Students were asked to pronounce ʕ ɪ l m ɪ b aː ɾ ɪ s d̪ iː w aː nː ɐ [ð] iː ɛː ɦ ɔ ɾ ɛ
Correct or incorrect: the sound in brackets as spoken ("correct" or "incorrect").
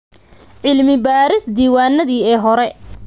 correct